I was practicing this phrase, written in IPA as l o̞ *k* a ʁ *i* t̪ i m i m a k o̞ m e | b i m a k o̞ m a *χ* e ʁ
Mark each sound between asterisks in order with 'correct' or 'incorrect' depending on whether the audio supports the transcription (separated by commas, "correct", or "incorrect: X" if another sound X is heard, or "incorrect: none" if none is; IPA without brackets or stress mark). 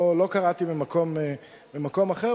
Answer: correct, incorrect: a, correct